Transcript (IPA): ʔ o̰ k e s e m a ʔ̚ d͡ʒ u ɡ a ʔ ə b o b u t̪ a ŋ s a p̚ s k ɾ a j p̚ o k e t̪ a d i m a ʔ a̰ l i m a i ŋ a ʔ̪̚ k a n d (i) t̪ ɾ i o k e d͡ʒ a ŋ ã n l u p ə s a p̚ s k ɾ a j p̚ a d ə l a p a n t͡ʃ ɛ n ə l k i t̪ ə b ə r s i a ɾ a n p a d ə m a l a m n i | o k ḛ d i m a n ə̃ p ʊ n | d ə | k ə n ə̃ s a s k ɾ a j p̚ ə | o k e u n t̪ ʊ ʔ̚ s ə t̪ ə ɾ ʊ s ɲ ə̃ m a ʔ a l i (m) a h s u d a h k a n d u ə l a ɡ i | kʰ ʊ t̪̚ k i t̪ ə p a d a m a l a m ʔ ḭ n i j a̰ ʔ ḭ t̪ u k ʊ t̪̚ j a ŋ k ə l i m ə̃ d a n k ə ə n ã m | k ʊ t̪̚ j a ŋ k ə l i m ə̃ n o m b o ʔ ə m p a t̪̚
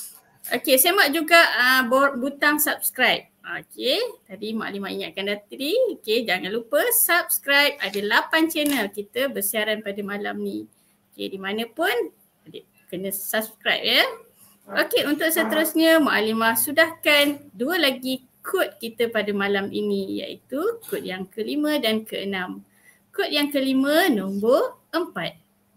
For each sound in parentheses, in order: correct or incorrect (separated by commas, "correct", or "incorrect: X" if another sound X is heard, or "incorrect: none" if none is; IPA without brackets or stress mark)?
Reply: incorrect: a, correct